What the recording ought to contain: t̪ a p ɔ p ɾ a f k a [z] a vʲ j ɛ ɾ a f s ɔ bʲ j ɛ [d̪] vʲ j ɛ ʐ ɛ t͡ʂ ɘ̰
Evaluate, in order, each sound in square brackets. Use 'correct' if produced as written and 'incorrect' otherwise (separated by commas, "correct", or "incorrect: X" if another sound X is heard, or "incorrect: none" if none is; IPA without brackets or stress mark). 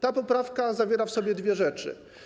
correct, correct